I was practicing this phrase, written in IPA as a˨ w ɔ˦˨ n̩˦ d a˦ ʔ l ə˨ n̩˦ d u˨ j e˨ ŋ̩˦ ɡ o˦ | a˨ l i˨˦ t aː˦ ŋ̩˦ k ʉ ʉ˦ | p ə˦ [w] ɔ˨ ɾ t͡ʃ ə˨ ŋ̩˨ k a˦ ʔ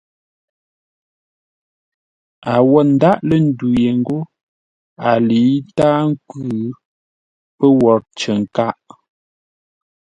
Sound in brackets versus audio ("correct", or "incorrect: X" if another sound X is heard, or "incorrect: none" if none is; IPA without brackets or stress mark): correct